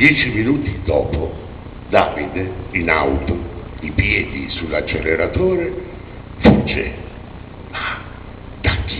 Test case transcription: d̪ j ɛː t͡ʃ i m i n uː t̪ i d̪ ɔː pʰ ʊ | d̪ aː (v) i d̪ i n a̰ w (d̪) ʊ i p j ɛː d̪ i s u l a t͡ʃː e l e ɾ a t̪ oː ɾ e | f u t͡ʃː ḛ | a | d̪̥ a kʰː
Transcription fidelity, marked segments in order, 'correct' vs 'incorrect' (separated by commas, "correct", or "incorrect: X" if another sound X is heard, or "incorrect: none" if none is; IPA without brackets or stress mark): correct, incorrect: t̪